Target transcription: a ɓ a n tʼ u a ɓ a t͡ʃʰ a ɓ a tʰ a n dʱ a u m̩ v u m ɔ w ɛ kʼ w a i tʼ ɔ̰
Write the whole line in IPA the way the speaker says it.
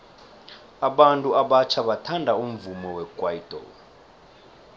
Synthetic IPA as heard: a ɓ a n tʼ u a ɓ a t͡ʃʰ a ɓ a tʰ a n dʱ a u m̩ v u m ɔ w ɛ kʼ w a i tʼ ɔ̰